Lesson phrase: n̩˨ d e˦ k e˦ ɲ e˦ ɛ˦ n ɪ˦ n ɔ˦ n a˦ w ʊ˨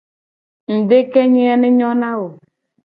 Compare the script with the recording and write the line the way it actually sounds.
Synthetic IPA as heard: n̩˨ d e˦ k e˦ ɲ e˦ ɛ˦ n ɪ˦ ɲ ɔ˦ n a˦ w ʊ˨